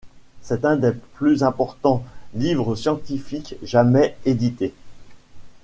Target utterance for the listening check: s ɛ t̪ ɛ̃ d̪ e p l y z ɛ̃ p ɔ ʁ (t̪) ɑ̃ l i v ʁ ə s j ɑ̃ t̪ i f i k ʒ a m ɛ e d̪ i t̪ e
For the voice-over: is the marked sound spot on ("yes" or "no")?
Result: yes